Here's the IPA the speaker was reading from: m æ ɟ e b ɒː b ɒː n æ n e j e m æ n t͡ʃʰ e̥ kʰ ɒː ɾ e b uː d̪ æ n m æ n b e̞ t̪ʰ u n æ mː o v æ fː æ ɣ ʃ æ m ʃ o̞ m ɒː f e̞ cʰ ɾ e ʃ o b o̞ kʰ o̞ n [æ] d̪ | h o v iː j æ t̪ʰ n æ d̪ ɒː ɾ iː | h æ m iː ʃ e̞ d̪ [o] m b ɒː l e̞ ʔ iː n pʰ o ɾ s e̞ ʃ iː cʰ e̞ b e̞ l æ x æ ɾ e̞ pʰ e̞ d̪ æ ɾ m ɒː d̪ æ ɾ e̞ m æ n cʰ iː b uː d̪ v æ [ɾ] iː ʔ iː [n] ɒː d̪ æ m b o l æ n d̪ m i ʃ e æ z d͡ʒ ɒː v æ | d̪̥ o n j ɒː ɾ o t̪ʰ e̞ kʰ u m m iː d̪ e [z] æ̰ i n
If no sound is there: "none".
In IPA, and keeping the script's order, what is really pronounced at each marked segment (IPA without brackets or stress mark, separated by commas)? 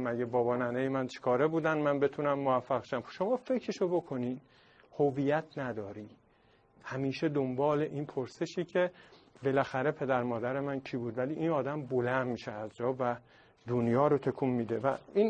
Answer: i, o, l, n, v